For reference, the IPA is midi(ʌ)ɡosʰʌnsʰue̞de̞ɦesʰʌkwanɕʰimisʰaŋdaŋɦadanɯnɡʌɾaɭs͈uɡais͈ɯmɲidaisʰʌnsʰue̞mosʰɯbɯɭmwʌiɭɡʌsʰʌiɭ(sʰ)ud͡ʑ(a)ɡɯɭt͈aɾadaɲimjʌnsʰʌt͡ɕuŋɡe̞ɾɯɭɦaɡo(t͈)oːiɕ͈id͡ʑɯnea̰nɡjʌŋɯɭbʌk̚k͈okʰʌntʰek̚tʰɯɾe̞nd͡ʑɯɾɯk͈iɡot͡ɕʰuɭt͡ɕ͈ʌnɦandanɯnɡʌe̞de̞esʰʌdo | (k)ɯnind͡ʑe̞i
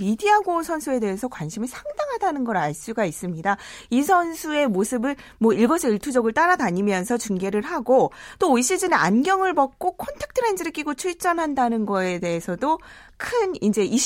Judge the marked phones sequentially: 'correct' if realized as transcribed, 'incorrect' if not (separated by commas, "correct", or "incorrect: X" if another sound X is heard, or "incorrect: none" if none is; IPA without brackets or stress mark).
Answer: incorrect: a, incorrect: tʰ, incorrect: ʌ, correct, incorrect: kʰ